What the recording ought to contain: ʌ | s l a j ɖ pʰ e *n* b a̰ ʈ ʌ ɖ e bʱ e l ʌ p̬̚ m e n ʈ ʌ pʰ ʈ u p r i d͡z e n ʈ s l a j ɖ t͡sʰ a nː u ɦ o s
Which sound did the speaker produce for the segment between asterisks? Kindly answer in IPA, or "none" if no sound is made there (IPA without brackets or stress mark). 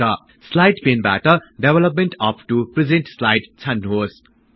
n